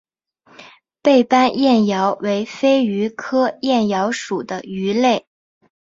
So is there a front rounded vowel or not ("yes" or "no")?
yes